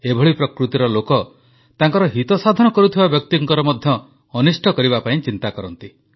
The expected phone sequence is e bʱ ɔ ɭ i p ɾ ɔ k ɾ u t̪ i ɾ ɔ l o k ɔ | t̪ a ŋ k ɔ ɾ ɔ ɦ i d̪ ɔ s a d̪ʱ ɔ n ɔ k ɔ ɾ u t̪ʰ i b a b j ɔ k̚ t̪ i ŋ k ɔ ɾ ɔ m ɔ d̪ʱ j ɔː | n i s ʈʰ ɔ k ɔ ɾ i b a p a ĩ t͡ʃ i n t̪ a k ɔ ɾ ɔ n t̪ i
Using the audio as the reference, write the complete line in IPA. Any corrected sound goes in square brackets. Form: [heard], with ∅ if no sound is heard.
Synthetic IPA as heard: e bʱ ɔ ɭ i p ɾ ɔ k ɾ u t̪ i ɾ ɔ l o k ɔ | t̪ a ŋ k ɔ ɾ ɔ ɦ i [t̪] ɔ s a d̪ʱ ɔ n ɔ k ɔ ɾ u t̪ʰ i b a b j ɔ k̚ t̪ i ŋ k ɔ ɾ ɔ m ɔ d̪ʱ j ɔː | n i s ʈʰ ɔ k ɔ ɾ i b a p a ĩ t͡ʃ i n t̪ a k ɔ ɾ ɔ n t̪ i